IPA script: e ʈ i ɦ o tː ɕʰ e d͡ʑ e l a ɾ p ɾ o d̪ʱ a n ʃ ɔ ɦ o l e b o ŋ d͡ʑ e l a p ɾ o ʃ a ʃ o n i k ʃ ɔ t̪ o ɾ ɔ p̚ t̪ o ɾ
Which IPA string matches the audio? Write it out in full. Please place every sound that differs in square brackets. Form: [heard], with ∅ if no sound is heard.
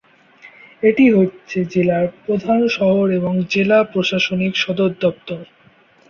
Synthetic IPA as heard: e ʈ i ɦ o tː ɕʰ e d͡ʑ e l a ɾ p ɾ o d̪ʱ a n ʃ ɔ ɦ o [ɾ] e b o ŋ d͡ʑ e l a p ɾ o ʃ a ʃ o n i k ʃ ɔ [d̪] o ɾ ɔ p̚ t̪ o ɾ